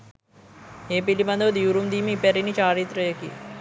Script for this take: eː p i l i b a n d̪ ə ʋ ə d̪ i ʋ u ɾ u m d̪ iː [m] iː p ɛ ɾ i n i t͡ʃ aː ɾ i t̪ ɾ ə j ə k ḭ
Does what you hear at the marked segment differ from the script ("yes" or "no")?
no